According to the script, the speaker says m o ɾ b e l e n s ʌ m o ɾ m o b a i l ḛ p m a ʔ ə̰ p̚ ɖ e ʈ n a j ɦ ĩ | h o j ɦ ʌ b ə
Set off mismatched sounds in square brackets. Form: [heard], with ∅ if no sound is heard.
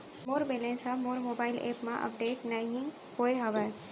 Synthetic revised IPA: m o ɾ b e l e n s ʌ m o ɾ m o b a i l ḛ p m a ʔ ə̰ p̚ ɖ e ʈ n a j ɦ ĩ | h o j ɦ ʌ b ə